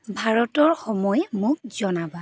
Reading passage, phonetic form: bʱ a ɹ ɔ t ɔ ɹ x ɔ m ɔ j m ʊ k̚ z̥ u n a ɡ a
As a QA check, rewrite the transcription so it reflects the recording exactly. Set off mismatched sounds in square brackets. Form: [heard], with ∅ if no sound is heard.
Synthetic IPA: bʱ a ɹ ɔ t ɔ ɹ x ɔ m ɔ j m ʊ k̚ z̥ [ɔ] n a [b] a